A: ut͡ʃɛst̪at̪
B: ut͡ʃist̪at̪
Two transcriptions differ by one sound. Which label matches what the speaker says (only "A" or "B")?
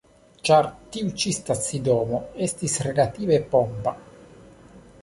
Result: B